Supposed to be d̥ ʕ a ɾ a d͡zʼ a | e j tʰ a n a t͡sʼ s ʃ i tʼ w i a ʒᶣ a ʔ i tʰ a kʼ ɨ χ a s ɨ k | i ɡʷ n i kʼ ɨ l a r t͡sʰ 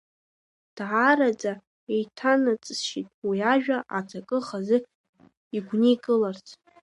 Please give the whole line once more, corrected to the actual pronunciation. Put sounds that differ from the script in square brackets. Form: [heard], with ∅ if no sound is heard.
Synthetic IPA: d̥ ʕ a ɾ a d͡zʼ a | e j tʰ a n a t͡sʼ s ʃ i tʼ w i a ʒᶣ a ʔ [a] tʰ a kʼ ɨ χ a [z] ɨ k | i ɡʷ n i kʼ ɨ l a r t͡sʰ